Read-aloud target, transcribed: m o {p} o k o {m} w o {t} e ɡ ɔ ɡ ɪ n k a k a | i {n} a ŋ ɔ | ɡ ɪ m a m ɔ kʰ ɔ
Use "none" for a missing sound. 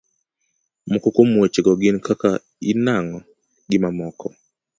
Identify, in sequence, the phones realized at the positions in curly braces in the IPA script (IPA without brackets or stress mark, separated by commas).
k, m, t͡ʃ, n